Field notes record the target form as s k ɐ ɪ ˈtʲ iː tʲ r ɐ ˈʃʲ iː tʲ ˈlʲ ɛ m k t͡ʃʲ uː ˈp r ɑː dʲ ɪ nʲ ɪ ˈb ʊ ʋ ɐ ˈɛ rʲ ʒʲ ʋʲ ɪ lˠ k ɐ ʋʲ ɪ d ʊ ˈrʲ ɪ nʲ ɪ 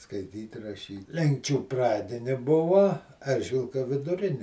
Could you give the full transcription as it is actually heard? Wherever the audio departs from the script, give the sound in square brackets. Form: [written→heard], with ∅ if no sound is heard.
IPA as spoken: s k ɐ ɪ ˈtʲ iː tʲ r ɐ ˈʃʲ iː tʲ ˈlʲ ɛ [m→ŋ] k t͡ʃʲ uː ˈp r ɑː dʲ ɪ nʲ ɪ ˈb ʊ ʋ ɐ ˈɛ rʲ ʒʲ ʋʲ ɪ lˠ k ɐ ʋʲ ɪ d ʊ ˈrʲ ɪ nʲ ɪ